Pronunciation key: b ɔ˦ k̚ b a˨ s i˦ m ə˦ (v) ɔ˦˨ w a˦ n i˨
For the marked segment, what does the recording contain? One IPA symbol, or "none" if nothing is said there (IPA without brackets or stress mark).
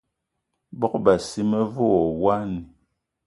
v